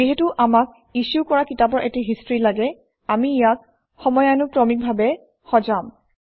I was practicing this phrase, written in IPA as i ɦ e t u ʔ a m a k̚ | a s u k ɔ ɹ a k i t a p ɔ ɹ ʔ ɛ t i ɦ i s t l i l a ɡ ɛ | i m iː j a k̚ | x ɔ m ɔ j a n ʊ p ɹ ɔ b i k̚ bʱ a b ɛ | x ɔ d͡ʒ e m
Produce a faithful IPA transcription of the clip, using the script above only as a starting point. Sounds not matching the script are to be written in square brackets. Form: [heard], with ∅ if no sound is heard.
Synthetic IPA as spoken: i ɦ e t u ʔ a m a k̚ | [i] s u k ɔ ɹ a k i t a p ɔ ɹ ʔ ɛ t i ɦ i s t [ɹ] i l a ɡ ɛ | [a] m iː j a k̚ | x ɔ m ɔ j a n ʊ p ɹ ɔ [m] i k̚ bʱ a b ɛ | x ɔ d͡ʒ [a] m